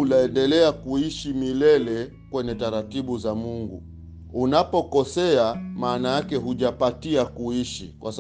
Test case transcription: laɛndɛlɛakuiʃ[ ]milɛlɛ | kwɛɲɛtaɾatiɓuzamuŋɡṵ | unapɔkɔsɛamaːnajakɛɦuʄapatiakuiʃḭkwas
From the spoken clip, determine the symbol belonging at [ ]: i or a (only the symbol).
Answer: i